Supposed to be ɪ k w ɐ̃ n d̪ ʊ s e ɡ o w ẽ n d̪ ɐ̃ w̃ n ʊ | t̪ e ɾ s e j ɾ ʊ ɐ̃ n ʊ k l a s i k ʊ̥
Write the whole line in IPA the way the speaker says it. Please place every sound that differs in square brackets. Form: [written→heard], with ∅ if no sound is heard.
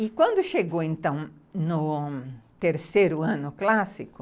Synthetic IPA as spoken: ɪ k w ɐ̃ n d̪ ʊ [s→ʃ] e ɡ o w ẽ n [d̪→t̪] ɐ̃ w̃ n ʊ | t̪ e ɾ s e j ɾ ʊ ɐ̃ n ʊ k l a s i k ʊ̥